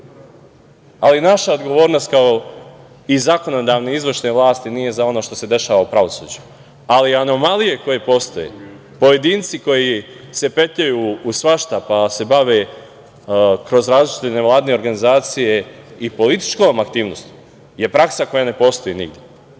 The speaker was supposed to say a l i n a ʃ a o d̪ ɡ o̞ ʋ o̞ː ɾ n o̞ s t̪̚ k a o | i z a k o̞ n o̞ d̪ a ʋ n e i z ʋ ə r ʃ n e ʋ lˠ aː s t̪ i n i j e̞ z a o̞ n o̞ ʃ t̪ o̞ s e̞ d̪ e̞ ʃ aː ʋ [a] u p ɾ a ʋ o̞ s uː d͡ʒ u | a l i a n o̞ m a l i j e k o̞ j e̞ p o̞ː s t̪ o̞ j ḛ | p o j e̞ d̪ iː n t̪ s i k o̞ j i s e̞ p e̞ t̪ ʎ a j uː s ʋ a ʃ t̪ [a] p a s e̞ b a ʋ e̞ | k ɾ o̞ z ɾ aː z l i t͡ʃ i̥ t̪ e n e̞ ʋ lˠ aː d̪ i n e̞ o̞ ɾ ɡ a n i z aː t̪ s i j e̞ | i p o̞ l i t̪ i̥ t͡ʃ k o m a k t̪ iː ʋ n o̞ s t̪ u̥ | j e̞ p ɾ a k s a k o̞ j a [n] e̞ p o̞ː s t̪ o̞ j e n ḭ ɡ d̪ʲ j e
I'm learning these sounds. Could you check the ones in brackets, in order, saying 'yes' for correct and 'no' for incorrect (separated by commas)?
yes, yes, yes